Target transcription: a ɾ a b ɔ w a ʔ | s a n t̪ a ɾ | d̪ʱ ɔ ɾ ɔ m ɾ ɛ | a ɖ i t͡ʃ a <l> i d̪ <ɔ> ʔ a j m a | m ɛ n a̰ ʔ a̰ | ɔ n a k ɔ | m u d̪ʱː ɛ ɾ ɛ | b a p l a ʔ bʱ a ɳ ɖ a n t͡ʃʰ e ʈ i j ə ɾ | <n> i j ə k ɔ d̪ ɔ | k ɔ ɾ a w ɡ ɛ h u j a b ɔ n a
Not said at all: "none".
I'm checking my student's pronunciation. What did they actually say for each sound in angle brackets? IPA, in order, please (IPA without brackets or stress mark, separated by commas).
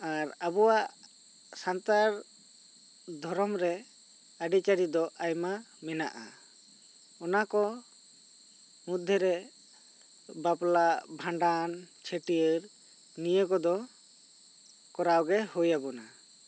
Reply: ɾ, ɔ, n